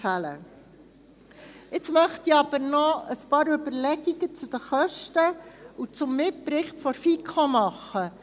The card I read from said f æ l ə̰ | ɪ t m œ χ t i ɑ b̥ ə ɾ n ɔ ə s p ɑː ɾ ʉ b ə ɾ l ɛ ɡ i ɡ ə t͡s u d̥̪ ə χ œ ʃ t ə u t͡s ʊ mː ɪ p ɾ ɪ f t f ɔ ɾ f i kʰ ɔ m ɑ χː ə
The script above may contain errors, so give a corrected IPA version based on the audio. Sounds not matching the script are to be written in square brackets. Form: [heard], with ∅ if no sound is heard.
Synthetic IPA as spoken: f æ l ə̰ | ɪ [t͡s] m œ χ t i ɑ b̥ ə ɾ n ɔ ə s p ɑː ɾ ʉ b ə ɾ l ɛ ɡ i ɡ ə t͡s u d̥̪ ə χ œ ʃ t ə u t͡s ʊ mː ɪ p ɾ ɪ [χ] t f ɔ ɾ f i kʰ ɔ m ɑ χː ə